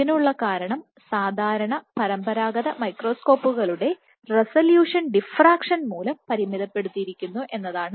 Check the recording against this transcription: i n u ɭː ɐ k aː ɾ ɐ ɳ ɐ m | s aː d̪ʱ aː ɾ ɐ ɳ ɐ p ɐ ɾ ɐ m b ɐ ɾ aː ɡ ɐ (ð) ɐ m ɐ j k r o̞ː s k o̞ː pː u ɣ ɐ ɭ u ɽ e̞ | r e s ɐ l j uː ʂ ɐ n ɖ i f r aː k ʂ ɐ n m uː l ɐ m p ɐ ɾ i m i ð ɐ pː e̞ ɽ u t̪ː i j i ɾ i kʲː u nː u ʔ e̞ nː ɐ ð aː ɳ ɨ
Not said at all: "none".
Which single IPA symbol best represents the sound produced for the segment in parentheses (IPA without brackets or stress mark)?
ð